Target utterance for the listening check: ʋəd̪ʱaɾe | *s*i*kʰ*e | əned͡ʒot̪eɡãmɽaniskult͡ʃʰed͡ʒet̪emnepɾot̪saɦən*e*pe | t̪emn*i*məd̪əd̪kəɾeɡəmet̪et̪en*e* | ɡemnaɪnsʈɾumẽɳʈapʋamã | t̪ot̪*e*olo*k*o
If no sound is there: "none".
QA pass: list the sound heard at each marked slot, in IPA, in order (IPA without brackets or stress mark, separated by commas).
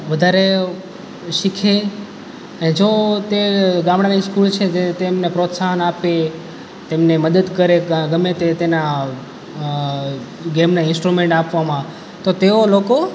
ʃ, kʰ, a, e, a, e, k